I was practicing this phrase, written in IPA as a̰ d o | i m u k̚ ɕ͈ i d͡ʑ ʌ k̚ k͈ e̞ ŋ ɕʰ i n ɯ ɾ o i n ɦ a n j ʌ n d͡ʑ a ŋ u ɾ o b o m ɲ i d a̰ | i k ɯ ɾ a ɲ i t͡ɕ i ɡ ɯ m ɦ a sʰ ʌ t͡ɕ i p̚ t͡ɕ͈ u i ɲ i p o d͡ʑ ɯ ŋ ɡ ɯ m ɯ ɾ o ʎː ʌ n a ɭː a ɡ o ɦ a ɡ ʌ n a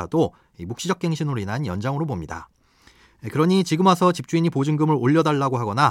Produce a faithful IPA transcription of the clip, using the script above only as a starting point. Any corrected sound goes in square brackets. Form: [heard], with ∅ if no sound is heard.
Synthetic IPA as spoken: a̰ d o | i m u k̚ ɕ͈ i d͡ʑ ʌ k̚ k͈ e̞ ŋ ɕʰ i n ɯ ɾ o i n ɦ a n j ʌ n d͡ʑ a ŋ [ɯ] ɾ o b o m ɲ i d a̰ | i k ɯ ɾ [ʌ] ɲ i t͡ɕ i ɡ ɯ m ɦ a sʰ ʌ t͡ɕ i p̚ t͡ɕ͈ u i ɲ i p o d͡ʑ ɯ ŋ ɡ ɯ m ɯ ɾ o ʎː ʌ [d] a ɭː a ɡ o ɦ a ɡ ʌ n a